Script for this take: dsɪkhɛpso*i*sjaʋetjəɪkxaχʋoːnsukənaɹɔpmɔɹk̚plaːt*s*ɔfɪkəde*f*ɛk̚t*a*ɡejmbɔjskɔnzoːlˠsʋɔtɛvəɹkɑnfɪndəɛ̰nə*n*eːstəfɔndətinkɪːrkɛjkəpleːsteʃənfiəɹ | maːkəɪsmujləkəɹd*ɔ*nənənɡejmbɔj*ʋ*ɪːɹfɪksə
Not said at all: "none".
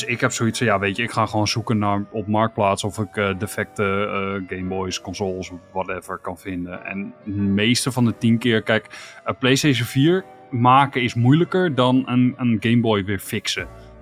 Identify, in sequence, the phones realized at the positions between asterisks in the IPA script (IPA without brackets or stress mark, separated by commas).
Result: i, s, f, ə, m, ɔ, ʋ